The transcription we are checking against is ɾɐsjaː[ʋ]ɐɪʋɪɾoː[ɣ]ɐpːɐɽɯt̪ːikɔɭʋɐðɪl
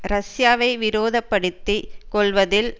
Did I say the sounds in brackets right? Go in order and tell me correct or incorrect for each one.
correct, incorrect: ð

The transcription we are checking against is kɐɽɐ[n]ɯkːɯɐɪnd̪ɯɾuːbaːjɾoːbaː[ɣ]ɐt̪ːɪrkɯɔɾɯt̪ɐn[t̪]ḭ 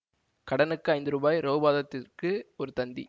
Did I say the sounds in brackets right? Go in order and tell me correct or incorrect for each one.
correct, incorrect: ð, incorrect: d̪

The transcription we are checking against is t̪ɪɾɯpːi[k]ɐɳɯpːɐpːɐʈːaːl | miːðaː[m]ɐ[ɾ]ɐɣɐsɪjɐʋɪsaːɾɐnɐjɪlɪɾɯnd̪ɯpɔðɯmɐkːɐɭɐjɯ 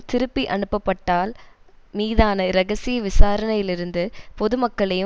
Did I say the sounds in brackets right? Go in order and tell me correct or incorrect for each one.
incorrect: ʔ, incorrect: n, correct

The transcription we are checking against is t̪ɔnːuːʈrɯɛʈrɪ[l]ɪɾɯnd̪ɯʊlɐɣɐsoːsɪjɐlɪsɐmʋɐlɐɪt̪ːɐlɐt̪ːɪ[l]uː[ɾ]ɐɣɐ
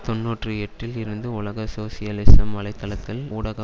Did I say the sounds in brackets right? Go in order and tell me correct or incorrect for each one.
correct, correct, incorrect: ɽ

